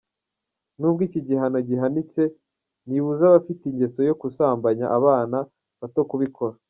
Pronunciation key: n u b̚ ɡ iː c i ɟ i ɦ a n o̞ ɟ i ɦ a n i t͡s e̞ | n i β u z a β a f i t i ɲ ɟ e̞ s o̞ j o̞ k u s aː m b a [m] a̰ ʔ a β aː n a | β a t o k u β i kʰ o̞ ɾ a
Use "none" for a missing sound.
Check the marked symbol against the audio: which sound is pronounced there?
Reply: ɲ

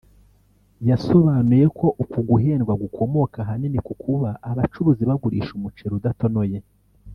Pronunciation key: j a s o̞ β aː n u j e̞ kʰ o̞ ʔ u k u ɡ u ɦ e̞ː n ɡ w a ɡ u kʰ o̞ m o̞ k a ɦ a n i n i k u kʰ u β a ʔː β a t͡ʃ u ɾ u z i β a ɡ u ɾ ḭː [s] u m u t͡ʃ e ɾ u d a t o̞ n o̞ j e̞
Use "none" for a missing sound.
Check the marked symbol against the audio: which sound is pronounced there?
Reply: ʃ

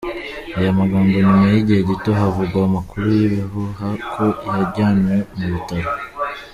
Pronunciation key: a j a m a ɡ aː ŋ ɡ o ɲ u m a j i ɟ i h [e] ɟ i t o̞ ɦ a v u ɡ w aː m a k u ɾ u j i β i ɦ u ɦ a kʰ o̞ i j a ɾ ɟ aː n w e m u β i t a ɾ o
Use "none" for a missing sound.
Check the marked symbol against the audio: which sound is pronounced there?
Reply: e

